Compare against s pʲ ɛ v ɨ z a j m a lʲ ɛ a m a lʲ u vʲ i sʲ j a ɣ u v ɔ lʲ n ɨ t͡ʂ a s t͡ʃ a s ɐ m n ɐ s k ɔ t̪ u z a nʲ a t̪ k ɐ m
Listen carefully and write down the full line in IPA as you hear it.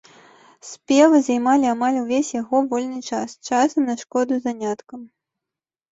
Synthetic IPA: s pʲ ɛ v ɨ z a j m a lʲ i a m a lʲ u vʲ e sʲ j a ɣ ɔ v ɔ lʲ n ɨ t͡ʂ a s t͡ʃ a s ɐ m n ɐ ʂ k ɔ d̪ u z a nʲ a t̪ k ɐ m